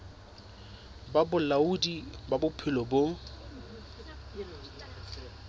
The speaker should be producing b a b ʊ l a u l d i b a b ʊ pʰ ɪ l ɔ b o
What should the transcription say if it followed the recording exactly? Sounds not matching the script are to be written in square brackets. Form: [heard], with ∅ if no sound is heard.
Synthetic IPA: b a b ʊ l a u [∅] d i b a b ʊ pʰ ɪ l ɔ b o